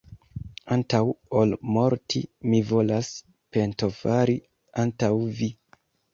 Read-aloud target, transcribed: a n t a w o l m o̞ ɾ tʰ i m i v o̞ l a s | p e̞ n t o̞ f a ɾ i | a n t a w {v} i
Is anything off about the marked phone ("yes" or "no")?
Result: no